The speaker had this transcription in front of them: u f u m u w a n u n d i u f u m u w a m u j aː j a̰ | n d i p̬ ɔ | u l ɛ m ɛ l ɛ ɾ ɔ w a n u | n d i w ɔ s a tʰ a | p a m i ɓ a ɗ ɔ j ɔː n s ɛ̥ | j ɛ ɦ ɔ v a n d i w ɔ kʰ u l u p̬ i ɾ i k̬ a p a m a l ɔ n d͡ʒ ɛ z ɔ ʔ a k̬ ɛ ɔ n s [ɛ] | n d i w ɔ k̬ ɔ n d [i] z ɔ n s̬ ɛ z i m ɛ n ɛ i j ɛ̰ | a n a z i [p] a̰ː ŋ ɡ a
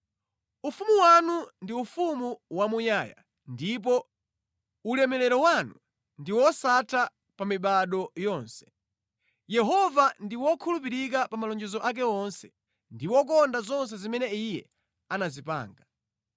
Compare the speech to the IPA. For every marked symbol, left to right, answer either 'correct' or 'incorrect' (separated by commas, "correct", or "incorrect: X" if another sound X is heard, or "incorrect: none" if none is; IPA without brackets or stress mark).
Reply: correct, incorrect: a, correct